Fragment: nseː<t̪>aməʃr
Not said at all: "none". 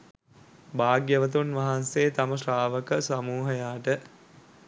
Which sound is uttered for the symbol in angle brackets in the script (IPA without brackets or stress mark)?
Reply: t̪